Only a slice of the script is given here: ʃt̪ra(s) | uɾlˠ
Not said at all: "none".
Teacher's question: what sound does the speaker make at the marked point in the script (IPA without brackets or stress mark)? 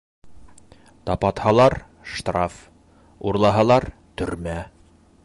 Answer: f